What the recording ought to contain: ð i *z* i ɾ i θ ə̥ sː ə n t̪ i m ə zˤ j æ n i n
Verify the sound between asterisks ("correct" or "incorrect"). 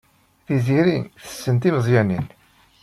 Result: correct